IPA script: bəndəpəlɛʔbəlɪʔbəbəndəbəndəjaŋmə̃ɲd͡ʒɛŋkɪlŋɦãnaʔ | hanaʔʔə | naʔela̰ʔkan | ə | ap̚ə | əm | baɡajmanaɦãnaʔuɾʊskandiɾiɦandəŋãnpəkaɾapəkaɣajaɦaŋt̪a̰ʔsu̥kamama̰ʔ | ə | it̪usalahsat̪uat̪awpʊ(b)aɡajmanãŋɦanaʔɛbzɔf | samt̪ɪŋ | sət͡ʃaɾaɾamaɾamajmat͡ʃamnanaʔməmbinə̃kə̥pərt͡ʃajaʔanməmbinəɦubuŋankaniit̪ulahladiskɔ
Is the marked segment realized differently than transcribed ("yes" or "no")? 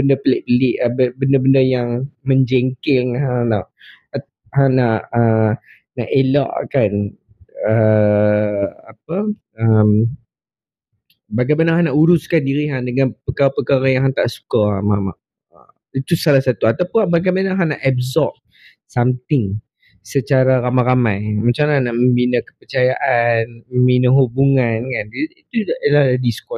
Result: no